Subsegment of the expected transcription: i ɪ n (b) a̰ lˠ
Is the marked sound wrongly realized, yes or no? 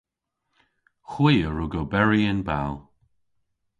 no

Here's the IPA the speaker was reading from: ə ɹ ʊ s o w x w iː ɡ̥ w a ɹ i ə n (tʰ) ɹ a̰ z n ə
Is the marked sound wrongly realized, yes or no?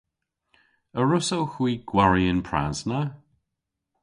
yes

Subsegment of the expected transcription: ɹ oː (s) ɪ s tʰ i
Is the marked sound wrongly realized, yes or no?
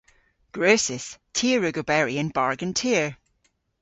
no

